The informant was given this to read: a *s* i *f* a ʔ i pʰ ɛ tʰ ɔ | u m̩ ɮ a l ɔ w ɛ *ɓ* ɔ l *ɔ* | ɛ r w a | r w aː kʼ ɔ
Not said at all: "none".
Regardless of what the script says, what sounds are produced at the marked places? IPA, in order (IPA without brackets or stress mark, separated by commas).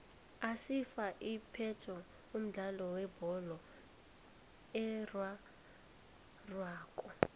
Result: s, f, b, ɔ